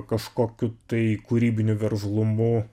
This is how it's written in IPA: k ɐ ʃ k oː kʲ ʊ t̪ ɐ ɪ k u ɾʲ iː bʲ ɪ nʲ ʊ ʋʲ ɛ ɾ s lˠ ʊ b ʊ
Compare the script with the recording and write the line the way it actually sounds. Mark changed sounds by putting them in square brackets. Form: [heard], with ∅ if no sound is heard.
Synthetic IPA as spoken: k ɐ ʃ k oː kʲ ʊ t̪ ɐ ɪ k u ɾʲ iː bʲ ɪ nʲ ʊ ʋʲ ɛ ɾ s lˠ ʊ [m] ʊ